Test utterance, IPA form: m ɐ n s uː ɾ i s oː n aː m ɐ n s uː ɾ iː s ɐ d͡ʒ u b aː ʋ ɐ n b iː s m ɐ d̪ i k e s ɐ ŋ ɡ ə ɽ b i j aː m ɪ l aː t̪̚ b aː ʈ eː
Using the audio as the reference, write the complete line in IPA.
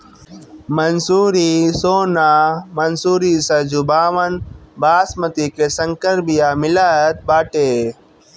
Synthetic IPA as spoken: m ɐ n s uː ɾ i s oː n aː m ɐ n s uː ɾ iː s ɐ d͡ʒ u b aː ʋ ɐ n b aː s m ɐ t̪ i k e s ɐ ŋ k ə ɾ b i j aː m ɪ l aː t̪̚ b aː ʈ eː